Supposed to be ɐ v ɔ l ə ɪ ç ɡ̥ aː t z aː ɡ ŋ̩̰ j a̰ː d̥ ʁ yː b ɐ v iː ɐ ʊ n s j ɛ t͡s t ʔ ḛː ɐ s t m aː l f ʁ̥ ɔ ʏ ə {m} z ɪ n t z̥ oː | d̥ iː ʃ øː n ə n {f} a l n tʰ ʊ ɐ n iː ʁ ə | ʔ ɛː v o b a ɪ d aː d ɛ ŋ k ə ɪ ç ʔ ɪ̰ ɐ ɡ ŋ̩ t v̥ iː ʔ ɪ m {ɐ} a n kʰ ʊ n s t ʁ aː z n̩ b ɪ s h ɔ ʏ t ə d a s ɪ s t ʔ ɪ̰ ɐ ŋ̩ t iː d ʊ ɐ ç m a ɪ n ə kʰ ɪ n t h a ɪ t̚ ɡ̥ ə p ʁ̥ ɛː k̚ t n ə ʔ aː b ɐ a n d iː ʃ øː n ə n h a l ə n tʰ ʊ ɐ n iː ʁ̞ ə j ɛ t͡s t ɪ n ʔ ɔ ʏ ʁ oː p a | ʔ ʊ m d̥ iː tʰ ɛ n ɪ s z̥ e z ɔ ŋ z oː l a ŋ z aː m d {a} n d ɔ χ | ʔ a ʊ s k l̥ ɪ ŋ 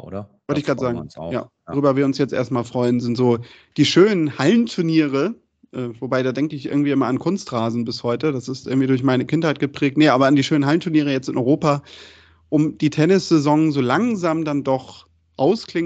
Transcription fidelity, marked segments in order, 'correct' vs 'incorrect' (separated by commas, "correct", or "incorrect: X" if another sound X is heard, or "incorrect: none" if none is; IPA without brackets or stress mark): incorrect: n, incorrect: h, correct, correct